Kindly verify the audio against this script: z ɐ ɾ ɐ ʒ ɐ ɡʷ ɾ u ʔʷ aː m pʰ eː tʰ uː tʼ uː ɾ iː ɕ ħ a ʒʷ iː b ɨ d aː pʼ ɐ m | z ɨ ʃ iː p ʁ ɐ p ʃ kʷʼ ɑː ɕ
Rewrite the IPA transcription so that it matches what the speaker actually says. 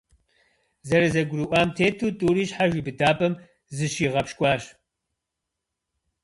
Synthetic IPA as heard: z ɐ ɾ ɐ z ɐ ɡʷ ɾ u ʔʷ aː m tʰ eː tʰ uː tʼ uː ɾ iː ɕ ħ a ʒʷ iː b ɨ d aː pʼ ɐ m | z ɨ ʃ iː ʁ ɐ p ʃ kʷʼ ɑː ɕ